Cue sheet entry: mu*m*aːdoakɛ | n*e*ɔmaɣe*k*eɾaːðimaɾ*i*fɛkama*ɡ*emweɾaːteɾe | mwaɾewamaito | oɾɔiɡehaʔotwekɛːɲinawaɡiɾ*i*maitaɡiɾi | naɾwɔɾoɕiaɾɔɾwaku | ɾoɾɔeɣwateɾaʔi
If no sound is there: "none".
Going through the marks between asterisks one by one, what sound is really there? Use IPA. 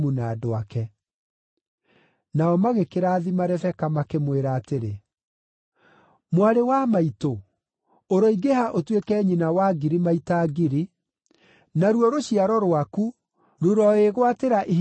n, a, k, ɛ, k, i

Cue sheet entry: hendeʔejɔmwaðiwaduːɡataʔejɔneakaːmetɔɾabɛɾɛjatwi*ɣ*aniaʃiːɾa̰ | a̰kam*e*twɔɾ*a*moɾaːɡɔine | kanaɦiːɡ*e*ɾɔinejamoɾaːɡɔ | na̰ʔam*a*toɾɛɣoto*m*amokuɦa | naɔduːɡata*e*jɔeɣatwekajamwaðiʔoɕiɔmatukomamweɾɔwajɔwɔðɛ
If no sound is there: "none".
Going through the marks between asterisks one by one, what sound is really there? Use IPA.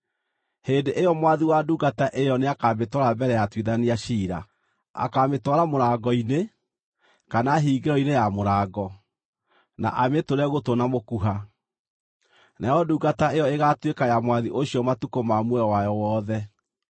ð, e, a, e, e, n, e

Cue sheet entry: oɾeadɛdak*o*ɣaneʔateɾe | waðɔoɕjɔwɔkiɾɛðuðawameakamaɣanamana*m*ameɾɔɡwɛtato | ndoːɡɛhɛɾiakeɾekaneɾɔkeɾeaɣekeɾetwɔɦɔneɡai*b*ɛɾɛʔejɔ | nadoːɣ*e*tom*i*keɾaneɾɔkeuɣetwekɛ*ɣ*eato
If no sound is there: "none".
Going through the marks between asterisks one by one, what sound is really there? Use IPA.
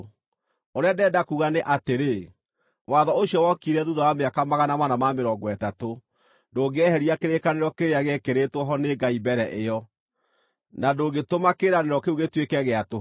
u, m, b, e, a, ɣ

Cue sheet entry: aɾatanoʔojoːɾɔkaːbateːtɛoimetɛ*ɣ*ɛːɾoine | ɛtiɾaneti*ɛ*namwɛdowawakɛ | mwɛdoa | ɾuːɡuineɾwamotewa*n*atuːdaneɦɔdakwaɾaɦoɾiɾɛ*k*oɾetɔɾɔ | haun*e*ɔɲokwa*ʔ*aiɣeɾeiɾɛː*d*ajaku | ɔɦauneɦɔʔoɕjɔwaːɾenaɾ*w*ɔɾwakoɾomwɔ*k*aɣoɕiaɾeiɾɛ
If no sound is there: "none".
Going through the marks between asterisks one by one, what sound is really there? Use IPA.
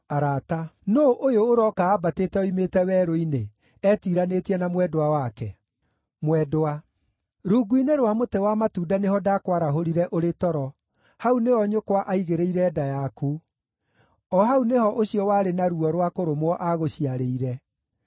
w, ɛ, m, ʔ, e, ʔ, d, u, ʔ

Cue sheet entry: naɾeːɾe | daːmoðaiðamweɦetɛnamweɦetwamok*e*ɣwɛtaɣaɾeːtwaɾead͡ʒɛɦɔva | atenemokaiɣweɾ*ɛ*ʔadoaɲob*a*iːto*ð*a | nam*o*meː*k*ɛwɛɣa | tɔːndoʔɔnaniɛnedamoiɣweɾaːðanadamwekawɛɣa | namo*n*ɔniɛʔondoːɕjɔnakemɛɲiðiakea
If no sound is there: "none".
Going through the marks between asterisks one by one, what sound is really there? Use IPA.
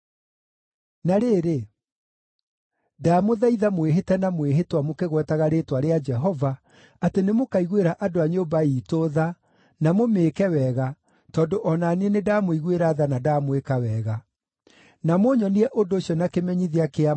e, a, a, ð, o, k, ɲ

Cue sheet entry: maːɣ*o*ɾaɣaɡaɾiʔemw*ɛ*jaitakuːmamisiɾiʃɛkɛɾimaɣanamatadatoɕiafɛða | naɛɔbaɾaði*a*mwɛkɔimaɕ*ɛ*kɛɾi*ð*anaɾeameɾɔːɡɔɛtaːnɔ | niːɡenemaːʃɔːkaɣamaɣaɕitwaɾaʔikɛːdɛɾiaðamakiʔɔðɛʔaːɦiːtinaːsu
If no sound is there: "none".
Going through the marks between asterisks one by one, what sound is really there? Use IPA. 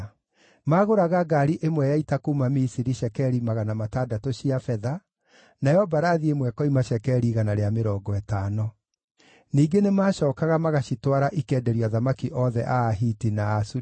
o, ɛ, e, ɛ, ɣ

